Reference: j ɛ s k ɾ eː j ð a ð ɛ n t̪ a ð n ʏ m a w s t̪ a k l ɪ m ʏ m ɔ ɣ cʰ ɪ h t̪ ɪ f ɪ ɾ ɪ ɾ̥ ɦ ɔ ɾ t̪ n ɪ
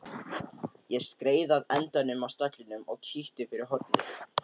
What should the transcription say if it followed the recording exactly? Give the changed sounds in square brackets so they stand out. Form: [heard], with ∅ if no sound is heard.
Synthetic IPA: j ɛ s k ɾ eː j ð a ð ɛ n t̪ a [∅] n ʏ m a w s t̪ a k l ɪ [n] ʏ m ɔ ɣ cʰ [i] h t̪ ɪ f ɪ ɾ ɪ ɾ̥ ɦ ɔ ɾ t̪ n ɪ